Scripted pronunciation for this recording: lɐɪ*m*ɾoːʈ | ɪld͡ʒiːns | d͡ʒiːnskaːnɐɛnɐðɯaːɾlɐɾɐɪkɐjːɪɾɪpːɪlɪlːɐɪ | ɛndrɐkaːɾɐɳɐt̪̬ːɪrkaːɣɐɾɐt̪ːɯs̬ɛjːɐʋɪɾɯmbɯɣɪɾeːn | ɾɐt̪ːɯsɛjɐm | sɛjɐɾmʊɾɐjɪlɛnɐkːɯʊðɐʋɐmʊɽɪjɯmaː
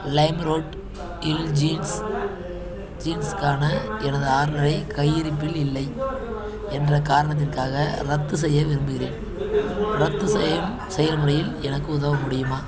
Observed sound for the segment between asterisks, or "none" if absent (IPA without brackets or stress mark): m